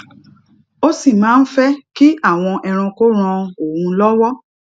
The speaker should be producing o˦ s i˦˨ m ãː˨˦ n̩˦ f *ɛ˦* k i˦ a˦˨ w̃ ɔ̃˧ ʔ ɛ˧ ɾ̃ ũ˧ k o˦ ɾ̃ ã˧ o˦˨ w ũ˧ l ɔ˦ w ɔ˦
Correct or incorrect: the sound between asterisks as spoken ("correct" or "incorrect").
correct